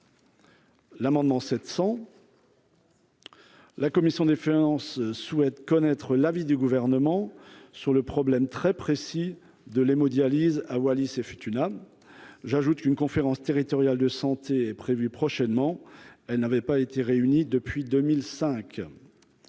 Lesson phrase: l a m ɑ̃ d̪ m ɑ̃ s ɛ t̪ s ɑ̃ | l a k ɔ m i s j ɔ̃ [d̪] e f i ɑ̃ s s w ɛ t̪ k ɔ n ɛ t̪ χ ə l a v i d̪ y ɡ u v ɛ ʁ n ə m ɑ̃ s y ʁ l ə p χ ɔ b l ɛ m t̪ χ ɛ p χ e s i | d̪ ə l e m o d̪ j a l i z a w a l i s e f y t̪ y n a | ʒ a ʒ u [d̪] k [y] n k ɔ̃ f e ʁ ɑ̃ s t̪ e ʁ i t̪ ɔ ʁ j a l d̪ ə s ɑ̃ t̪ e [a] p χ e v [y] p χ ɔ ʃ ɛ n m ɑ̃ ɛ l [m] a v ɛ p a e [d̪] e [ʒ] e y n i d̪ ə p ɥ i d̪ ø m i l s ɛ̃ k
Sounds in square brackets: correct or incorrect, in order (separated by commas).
correct, incorrect, correct, incorrect, correct, incorrect, incorrect, incorrect